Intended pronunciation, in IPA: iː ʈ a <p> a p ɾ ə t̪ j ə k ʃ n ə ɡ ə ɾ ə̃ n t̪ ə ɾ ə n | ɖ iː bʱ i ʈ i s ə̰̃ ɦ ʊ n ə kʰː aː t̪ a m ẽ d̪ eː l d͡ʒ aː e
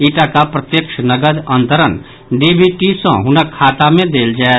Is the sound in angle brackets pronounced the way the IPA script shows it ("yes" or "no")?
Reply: no